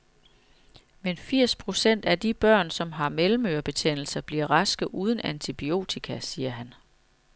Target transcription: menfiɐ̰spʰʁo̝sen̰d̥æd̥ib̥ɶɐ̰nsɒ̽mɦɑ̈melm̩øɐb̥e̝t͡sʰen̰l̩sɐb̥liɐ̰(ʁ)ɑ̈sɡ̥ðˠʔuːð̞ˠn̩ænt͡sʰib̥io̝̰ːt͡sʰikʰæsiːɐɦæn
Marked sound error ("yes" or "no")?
no